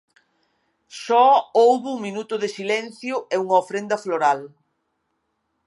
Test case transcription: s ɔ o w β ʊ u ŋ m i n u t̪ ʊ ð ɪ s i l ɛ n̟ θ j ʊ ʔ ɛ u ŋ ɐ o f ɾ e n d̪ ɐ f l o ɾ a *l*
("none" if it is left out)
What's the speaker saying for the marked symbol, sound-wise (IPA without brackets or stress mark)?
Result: l